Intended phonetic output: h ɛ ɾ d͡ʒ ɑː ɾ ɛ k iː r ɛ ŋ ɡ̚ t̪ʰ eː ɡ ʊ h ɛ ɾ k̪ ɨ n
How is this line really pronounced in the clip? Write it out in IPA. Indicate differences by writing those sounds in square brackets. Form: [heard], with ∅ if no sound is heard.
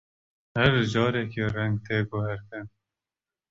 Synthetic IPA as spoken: h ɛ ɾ d͡ʒ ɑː ɾ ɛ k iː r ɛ ŋ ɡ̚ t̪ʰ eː ɡ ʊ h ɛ ɾ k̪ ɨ n